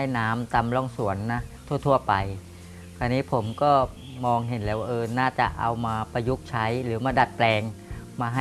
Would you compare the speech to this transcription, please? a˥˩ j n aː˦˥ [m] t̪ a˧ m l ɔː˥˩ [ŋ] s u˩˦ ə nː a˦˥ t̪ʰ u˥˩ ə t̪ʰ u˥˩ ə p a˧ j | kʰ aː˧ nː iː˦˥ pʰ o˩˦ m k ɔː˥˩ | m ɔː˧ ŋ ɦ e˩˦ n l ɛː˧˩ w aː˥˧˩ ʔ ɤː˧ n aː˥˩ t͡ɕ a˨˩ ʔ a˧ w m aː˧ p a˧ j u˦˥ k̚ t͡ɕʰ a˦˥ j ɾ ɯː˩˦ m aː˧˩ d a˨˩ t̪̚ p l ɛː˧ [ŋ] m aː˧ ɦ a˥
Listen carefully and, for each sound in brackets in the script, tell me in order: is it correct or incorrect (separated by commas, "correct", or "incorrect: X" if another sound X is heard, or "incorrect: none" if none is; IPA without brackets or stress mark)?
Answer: correct, correct, correct